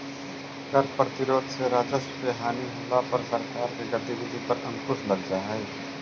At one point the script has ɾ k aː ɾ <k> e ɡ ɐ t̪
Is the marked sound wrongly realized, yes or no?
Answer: no